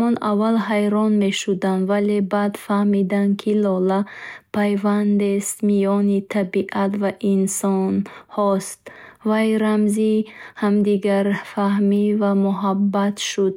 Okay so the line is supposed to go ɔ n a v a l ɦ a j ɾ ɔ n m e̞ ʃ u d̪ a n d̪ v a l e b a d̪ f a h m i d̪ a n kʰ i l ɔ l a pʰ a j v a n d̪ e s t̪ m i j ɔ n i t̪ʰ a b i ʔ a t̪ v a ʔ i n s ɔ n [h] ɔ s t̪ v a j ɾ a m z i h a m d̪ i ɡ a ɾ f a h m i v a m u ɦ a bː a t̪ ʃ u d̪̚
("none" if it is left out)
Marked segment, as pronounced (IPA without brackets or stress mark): h